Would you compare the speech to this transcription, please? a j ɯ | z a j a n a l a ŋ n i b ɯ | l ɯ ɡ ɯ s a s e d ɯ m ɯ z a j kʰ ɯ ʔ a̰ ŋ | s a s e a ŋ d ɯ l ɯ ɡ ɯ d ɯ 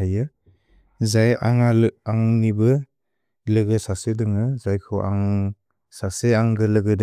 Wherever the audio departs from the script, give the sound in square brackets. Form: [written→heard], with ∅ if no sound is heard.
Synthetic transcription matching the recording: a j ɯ | z a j a [n→ŋ] a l a ŋ n i b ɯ | l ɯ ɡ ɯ s a s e d ɯ [m→ŋ] ɯ z a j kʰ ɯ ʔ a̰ ŋ | s a s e a ŋ [d→ɡ] ɯ l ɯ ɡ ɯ d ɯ